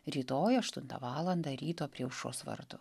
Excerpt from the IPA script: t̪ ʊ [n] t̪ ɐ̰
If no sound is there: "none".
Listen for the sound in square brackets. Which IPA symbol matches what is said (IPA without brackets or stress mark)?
n